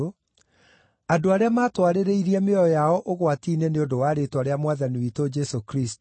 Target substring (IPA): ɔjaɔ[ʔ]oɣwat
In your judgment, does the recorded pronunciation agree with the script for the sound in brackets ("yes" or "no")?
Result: yes